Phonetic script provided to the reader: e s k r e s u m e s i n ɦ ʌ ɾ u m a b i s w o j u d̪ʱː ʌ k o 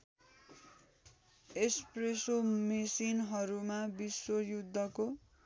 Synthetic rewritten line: e s p r e s o m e s i n ɦ ʌ ɾ u m a b i s w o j u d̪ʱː ʌ k o